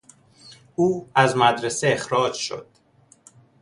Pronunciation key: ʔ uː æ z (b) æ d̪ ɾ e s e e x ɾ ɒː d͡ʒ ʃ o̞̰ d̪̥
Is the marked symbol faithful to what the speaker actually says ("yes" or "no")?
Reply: no